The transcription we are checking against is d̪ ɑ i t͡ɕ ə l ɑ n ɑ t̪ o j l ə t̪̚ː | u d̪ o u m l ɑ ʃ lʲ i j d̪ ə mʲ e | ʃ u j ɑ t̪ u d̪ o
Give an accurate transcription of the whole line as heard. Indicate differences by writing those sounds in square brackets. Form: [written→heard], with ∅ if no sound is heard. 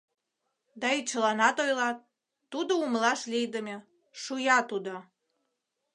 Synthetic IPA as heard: d̪ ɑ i t͡ɕ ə l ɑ n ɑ t̪ o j l [ə→ɑ] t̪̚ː | u d̪ o u m l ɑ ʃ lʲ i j d̪ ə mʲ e | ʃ u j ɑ t̪ u d̪ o